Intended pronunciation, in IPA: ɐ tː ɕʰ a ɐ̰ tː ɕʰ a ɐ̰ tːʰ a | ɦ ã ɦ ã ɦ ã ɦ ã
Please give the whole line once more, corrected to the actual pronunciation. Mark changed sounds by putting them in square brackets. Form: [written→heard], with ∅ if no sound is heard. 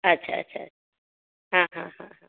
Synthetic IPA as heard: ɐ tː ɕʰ a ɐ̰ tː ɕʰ a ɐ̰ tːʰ a | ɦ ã ɦ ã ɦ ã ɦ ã